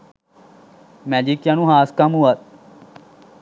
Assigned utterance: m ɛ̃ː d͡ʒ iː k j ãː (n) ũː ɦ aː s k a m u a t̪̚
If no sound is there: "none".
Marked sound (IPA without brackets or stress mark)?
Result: n